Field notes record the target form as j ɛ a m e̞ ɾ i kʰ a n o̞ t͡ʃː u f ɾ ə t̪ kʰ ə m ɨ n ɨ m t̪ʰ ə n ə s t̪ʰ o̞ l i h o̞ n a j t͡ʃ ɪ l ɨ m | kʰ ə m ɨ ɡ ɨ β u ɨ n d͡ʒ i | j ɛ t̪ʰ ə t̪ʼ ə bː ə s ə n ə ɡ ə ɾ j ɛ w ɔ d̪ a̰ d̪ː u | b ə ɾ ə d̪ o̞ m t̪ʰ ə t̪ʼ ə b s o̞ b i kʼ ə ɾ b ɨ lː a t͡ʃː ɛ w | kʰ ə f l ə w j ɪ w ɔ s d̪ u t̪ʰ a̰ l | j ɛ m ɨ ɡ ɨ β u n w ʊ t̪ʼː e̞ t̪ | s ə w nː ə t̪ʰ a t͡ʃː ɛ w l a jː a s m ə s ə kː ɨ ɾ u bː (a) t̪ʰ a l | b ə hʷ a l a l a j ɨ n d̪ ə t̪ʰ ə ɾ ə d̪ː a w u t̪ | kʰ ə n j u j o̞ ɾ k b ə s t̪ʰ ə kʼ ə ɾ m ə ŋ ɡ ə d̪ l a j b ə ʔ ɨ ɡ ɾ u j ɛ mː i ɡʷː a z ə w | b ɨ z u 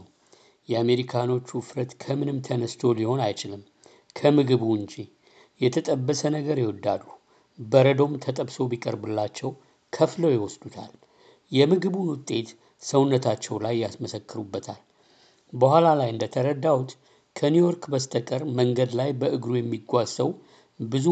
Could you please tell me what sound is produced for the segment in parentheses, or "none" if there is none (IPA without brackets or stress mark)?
ə